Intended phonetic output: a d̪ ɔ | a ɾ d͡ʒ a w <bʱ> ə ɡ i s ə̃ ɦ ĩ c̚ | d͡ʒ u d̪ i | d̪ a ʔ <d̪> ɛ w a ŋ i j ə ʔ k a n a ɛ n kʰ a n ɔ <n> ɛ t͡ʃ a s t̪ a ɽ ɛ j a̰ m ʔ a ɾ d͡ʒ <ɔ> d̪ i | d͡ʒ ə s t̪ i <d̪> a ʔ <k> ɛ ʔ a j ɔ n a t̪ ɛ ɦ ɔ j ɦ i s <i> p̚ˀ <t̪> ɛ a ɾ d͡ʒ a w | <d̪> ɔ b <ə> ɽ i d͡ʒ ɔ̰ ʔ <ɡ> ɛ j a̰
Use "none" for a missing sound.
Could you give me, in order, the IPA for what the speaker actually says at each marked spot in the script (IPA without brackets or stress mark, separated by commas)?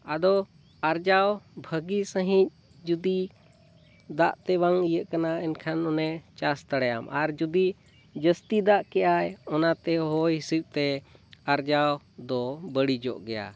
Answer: bʱ, t̪, n, u, d̪, k, i, t̪, d̪, ə, ɡ